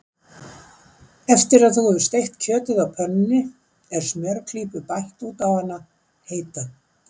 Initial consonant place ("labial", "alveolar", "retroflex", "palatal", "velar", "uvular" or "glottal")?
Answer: labial